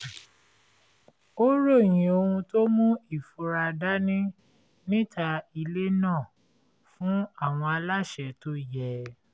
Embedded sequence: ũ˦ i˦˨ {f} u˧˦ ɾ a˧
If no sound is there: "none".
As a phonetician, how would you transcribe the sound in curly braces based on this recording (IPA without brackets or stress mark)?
f